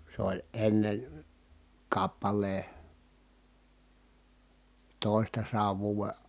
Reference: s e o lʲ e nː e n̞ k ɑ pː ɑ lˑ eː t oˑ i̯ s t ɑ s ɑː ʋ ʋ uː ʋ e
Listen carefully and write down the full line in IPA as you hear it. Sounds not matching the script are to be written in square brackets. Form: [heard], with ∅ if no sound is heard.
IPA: s e o lʲ e nː e n̞ k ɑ pː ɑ lˑ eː t oˑ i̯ s t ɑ s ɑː ʋ ʋ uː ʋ e